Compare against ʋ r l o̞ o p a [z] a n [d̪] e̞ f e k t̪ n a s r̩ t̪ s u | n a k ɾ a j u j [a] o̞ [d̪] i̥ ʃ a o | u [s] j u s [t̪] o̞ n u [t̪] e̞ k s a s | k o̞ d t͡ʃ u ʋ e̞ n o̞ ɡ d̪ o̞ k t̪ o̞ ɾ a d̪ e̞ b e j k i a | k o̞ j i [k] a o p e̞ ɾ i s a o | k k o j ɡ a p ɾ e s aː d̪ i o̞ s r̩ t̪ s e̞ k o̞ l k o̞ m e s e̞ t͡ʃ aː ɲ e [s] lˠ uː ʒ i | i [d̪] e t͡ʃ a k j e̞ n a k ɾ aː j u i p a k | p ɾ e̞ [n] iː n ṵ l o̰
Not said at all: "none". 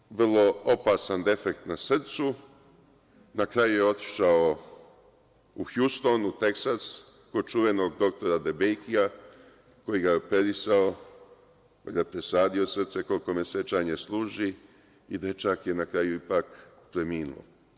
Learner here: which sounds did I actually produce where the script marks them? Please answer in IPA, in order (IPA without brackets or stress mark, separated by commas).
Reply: s, d̪, e, t̪, x, t̪, t̪, ɡ, s, d̪, m